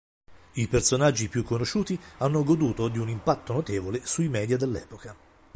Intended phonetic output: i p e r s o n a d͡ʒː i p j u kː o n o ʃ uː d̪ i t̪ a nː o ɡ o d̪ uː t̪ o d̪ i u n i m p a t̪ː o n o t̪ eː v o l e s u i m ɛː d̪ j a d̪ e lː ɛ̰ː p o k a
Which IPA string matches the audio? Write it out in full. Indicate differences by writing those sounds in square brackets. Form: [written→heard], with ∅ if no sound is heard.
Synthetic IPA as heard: i p e r s o n a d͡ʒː i p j u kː o n o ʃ uː [d̪→t̪] i [t̪→∅] a nː o ɡ o d̪ uː t̪ o d̪ i u n i m p a t̪ː o n o t̪ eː v o l e s u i m ɛː d̪ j a d̪ e lː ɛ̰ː p o k a